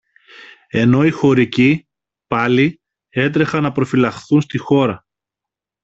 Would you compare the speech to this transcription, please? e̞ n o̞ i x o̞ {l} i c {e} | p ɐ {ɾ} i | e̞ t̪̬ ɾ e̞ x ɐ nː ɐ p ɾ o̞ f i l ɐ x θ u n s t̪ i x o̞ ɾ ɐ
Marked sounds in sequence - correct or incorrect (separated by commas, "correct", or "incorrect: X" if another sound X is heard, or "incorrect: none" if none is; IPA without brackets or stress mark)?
incorrect: ɾ, incorrect: i, incorrect: l